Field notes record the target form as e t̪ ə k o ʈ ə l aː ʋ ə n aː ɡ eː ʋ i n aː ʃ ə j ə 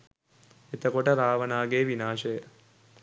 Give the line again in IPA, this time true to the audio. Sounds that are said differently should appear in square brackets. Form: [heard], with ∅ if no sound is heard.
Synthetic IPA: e t̪ ə k o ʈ ə [ɾ] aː ʋ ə n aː ɡ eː ʋ i n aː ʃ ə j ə